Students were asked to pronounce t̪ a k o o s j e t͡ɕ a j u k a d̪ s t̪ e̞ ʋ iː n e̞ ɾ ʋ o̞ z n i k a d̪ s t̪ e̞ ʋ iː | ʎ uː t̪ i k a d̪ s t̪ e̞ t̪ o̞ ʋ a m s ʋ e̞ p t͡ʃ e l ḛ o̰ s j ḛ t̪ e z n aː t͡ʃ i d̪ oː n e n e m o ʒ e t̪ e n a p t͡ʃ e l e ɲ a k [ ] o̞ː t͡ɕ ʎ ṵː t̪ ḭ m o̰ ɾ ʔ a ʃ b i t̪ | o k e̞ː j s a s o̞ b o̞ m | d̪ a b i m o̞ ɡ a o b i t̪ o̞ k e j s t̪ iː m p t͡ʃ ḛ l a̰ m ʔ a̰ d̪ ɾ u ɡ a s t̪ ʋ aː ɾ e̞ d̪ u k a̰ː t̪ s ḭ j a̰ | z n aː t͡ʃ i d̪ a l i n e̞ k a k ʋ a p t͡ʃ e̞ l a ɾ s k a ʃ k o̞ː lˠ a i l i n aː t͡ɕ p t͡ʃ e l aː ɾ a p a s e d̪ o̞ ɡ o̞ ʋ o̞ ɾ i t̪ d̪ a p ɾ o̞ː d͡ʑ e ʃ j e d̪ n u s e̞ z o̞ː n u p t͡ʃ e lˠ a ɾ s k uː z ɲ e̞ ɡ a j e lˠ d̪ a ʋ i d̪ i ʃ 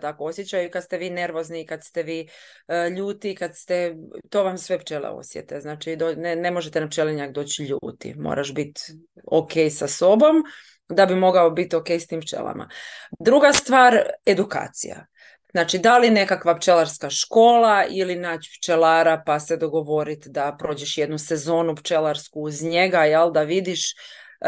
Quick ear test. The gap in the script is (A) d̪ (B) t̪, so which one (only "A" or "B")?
A